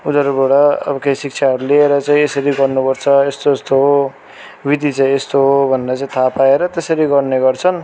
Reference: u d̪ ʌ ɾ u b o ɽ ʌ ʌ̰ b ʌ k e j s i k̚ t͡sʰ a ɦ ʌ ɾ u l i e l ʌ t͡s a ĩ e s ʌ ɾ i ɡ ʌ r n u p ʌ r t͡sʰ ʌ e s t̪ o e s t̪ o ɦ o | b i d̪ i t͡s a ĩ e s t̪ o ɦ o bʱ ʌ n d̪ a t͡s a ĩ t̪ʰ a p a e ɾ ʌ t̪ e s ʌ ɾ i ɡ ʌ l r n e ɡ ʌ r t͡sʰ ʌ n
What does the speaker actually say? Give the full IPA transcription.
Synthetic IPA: u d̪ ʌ ɾ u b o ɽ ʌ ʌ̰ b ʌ k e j s i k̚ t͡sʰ a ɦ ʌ ɾ u l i e ɾ ʌ t͡s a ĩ e s ʌ ɾ i ɡ ʌ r n u p ʌ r t͡sʰ ʌ e s t̪ o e s t̪ o ɦ o | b i d̪ i t͡s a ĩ e s t̪ o ɦ o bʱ ʌ n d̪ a t͡s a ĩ t̪ʰ a p a e ɾ ʌ t̪ e s ʌ ɾ i ɡ ʌ r n e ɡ ʌ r t͡sʰ ʌ n

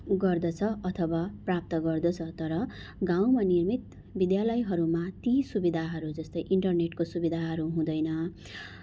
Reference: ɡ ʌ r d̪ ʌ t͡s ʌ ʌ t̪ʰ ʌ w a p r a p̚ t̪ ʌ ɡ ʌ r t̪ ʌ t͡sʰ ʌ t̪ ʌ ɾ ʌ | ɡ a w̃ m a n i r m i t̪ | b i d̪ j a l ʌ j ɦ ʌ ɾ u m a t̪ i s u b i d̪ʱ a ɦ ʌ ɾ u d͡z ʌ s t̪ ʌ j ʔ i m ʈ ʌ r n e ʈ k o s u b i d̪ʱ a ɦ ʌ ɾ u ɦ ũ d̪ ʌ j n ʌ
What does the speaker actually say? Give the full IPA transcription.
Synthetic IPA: ɡ ʌ r d̪ ʌ t͡sʰ ʌ ʌ t̪ʰ ʌ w a p r a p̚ t̪ ʌ ɡ ʌ r d̪ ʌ t͡sʰ ʌ t̪ ʌ ɾ ʌ | ɡ a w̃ m a n i r m i t̪ | b i d̪ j a l ʌ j ɦ ʌ ɾ u m a t̪ i s u b i d̪ʱ a ɦ ʌ ɾ u d͡z ʌ s t̪ ʌ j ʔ i ɳ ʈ ʌ r n e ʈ k o s u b i d̪ʱ a ɦ ʌ ɾ u ɦ ũ d̪ ʌ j n ʌ

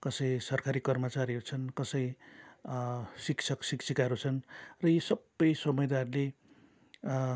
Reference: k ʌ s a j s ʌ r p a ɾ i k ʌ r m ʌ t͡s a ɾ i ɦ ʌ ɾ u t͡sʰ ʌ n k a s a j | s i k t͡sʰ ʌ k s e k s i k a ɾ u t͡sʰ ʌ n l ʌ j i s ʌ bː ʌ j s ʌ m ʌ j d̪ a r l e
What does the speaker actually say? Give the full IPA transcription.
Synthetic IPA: k ʌ s ʌ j s ʌ r k a ɾ i k ʌ r m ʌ t͡s a ɾ i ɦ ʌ ɾ u t͡sʰ ʌ n k ʌ s ʌ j | s i k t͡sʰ ʌ k s i k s i k a ɾ u t͡sʰ ʌ n r ʌ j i s ʌ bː ʌ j s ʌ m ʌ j d̪ a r l e

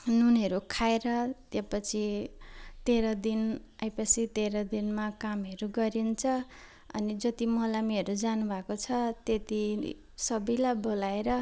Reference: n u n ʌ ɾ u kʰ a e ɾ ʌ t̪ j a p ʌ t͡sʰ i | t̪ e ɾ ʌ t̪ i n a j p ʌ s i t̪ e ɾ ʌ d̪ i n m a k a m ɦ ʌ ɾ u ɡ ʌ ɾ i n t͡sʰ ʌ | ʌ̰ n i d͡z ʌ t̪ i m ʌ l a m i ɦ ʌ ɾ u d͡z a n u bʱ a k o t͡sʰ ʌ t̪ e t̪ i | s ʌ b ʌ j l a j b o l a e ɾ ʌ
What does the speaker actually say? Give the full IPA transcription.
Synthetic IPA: n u n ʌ ɾ u kʰ a e ɾ ʌ t̪ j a p ʌ t͡sʰ i | t̪ e ɾ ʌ d̪ i n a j p ʌ s i t̪ e ɾ ʌ d̪ i n m a k a m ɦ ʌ ɾ u ɡ ʌ ɾ i n t͡sʰ ʌ | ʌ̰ n i d͡z ʌ t̪ i m ʌ l a m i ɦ ʌ ɾ u d͡z a n u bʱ a k o t͡sʰ ʌ t̪ e t̪ i | s ʌ b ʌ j l a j b o l a e ɾ ʌ

